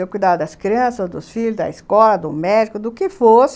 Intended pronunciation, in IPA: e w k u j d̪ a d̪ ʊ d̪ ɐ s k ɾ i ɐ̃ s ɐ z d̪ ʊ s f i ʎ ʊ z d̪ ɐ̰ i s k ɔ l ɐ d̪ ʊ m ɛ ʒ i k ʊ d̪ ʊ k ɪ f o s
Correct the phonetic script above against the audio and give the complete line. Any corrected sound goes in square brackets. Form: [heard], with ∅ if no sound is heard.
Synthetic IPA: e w k u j d̪ a d̪ ʊ d̪ ɐ s k ɾ i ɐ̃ s ɐ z d̪ ʊ s f i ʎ ʊ z d̪ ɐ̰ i s k ɔ l ɐ d̪ ʊ m ɛ [d͡ʒ] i k ʊ d̪ ʊ k ɪ f o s